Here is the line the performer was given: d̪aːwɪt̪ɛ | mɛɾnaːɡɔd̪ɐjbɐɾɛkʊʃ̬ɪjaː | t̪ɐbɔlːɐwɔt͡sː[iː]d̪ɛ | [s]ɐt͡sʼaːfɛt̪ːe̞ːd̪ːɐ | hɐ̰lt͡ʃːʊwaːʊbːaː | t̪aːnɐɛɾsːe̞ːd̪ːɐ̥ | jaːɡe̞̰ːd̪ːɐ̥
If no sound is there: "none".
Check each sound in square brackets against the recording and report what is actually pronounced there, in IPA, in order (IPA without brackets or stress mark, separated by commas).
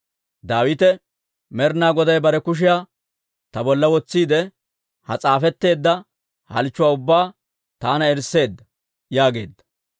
iː, h